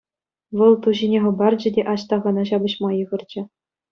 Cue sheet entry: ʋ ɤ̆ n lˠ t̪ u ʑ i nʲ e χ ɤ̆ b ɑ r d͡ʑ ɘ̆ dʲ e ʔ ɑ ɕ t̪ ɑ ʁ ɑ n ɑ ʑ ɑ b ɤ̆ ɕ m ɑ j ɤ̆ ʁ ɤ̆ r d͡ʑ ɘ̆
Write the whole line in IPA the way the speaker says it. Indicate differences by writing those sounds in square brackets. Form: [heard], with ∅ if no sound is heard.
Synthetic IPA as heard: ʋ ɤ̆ [∅] lˠ t̪ u ʑ i nʲ e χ ɤ̆ b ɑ r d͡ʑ ɘ̆ dʲ e ʔ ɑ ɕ t̪ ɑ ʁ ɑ n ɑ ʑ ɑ b ɤ̆ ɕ m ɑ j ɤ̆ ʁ ɤ̆ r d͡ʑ ɘ̆